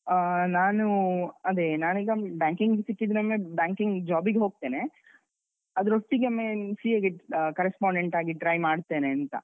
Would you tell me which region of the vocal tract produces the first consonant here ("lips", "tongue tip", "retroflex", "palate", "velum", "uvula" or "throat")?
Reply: tongue tip